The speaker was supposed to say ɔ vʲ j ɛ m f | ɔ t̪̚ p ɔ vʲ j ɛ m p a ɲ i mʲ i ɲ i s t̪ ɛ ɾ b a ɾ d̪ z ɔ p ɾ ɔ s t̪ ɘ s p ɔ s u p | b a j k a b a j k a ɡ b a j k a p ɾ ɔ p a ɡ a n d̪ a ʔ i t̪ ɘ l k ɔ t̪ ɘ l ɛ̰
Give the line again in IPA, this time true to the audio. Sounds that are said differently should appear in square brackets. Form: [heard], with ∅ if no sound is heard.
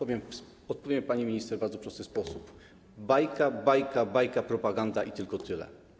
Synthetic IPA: ɔ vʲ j ɛ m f | ɔ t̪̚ p ɔ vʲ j ɛ m p a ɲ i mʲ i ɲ i s t̪ ɛ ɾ b a ɾ d̪ z ɔ p ɾ ɔ s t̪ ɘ s p ɔ s u p | b a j k a b a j k a [∅] b a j k a p ɾ ɔ p a ɡ a n d̪ a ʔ i t̪ ɘ l k ɔ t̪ ɘ l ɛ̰